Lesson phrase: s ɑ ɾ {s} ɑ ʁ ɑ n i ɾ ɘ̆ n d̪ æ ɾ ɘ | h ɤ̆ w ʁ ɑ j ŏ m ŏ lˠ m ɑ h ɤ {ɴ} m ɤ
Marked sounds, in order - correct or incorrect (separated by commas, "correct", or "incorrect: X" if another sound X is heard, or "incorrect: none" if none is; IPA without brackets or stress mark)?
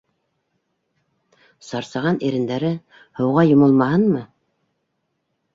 correct, incorrect: n